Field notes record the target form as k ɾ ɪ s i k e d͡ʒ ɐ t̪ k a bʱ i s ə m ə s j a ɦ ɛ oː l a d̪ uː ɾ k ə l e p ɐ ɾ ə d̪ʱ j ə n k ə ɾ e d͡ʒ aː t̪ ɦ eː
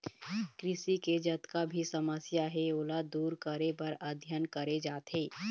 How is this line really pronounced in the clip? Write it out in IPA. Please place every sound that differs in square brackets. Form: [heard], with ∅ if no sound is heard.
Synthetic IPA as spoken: k ɾ ɪ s i k e d͡ʒ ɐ t̪ k a bʱ i s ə m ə s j a ɦ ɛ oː l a d̪ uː ɾ k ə [ɾ] e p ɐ ɾ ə d̪ʱ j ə n k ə ɾ e d͡ʒ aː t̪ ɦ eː